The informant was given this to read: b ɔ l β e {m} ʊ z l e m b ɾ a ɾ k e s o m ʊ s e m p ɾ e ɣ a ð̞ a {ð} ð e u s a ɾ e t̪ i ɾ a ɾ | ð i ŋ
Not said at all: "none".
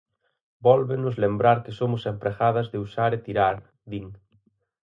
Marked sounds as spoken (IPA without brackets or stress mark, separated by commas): n, z